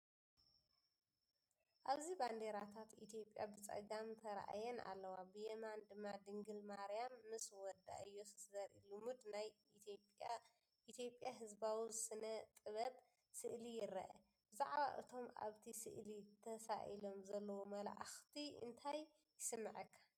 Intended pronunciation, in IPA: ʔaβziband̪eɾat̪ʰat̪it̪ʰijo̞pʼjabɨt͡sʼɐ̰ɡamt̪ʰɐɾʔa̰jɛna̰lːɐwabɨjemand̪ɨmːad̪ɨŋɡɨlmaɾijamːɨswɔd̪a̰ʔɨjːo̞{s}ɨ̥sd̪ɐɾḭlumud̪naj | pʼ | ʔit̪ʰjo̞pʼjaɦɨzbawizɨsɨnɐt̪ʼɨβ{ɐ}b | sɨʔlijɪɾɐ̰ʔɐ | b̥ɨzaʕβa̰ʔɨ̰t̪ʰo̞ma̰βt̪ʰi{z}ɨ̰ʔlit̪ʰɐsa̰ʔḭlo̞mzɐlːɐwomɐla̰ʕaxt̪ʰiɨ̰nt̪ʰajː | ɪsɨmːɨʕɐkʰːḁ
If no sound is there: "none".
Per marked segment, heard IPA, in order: s, ɐ, s

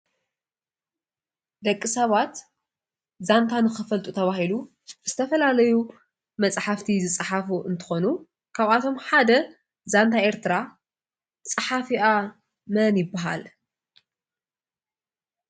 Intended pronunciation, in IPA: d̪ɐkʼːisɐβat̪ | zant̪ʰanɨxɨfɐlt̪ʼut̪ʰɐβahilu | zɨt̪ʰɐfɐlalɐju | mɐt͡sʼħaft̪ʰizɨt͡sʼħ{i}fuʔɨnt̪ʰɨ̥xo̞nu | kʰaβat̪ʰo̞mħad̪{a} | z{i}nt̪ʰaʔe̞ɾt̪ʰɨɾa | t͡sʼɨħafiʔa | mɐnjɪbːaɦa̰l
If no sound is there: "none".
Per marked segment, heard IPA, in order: a, ɐ, a

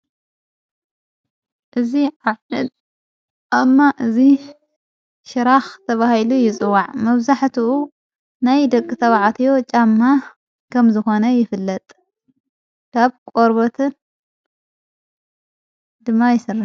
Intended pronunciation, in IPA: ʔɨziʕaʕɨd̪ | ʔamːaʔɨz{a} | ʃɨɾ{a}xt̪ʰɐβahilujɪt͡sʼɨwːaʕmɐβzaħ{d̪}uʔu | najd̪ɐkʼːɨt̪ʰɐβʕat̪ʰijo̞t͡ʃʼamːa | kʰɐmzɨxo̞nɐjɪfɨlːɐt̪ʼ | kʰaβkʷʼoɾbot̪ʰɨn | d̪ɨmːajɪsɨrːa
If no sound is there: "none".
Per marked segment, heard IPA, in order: i, a, t̪

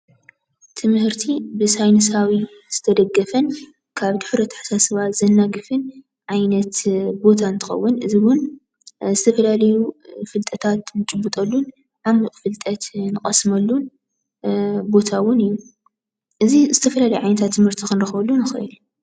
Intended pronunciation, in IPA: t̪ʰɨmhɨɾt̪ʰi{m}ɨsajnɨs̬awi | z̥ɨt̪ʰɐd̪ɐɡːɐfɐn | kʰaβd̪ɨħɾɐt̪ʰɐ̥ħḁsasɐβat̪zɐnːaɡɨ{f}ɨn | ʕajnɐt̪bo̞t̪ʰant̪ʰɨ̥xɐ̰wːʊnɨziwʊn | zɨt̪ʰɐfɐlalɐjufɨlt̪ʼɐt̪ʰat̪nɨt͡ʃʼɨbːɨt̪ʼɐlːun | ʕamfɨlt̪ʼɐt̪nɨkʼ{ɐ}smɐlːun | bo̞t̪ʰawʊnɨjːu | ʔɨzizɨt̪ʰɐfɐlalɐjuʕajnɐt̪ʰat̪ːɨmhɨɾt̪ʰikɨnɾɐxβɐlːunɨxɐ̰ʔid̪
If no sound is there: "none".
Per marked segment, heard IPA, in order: b, f, ɐ

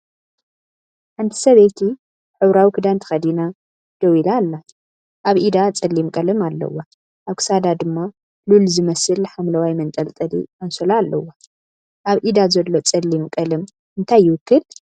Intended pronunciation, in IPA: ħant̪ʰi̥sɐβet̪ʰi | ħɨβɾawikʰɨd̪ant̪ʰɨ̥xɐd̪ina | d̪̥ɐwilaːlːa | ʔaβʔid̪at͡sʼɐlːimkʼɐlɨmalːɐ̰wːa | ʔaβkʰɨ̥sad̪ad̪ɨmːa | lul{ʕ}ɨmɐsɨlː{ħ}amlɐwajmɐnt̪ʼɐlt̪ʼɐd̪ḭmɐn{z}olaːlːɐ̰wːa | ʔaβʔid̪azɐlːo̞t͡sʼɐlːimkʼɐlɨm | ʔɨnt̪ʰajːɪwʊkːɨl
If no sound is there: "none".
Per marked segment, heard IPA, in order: z, ħ, s

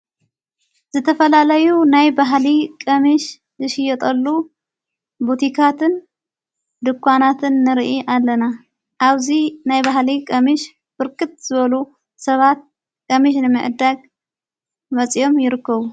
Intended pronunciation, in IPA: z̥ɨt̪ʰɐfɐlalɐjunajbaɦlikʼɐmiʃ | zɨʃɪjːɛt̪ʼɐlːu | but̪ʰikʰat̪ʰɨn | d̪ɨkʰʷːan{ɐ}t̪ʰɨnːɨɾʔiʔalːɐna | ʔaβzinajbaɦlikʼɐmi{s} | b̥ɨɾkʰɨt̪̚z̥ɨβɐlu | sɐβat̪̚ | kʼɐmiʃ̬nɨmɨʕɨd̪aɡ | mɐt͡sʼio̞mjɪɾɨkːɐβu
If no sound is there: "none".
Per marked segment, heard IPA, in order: a, ʃ

